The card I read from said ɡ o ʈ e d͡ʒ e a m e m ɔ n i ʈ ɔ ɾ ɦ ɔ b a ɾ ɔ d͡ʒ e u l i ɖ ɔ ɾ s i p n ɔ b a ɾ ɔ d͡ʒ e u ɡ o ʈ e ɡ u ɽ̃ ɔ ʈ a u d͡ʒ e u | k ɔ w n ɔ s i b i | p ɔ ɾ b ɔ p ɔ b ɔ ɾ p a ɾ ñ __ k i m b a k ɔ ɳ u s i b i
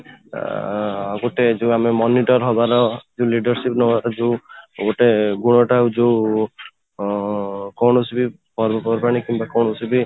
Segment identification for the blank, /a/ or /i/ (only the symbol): i